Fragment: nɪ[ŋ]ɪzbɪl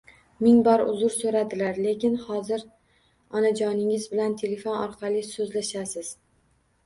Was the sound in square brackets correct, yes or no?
yes